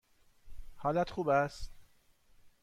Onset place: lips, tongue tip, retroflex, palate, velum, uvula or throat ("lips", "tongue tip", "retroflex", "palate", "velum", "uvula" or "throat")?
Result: throat